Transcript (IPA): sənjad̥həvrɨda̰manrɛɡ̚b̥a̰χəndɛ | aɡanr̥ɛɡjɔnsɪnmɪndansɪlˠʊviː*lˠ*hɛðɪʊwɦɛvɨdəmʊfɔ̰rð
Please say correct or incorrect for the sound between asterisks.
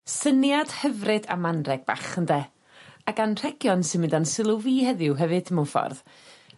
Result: incorrect